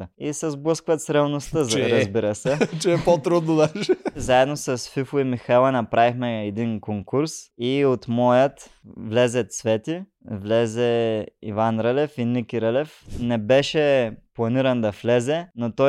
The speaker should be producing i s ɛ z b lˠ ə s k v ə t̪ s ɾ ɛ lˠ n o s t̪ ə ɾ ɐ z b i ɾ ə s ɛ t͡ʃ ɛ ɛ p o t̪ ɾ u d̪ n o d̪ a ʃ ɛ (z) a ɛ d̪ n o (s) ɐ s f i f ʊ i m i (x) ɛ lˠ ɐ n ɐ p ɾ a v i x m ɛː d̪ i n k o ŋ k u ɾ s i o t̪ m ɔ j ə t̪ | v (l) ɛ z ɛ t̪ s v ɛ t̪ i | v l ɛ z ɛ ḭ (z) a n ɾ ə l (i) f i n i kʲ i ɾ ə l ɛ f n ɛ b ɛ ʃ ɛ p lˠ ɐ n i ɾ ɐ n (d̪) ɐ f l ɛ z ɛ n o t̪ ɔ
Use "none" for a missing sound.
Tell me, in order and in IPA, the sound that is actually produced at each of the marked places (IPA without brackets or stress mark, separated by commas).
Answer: z, s, x, l, v, ɛ, d̪